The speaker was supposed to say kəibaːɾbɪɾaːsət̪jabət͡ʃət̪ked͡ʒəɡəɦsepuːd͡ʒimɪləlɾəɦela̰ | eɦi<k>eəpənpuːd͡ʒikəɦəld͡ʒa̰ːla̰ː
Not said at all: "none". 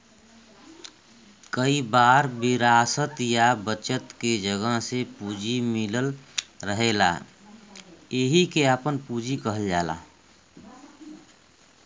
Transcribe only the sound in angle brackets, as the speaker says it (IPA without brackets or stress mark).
k